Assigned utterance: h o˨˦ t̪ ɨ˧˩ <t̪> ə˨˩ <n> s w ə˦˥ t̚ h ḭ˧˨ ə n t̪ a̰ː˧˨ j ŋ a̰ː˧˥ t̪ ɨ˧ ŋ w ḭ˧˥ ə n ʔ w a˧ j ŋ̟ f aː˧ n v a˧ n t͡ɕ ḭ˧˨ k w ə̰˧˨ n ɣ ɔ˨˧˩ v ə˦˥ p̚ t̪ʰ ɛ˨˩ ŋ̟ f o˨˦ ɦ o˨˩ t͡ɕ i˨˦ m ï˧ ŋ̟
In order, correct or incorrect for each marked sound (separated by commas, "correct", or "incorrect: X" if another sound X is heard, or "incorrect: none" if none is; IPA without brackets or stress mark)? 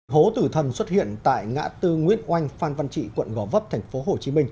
incorrect: t̪ʰ, correct